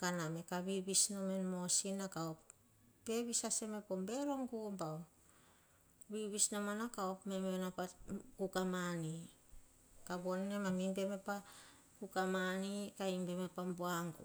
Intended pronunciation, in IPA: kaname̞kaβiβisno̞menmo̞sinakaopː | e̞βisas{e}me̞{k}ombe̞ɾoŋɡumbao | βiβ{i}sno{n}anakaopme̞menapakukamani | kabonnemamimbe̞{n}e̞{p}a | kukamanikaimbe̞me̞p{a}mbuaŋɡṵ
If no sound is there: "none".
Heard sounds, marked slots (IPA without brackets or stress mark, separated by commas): e, p, i, m, m, p, a